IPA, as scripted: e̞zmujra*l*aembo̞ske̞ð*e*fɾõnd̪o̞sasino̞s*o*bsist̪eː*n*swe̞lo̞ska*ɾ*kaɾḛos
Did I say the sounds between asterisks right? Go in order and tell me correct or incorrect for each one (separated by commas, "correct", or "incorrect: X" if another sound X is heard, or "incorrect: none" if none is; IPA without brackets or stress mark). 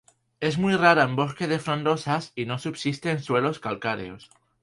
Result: incorrect: ɾ, correct, incorrect: u, correct, incorrect: l